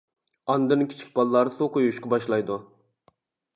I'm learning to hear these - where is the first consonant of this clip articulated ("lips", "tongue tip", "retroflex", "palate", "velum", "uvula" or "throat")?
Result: tongue tip